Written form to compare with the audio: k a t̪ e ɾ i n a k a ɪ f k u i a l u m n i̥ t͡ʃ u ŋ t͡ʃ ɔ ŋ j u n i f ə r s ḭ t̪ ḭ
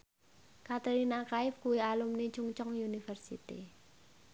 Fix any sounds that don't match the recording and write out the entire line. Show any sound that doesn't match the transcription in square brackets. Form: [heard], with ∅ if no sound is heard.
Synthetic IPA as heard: k a t̪ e ɾ i n a k a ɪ f k u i a l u m n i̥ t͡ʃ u ŋ t͡ʃ ɔ ŋ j u n i f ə r s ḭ t̪ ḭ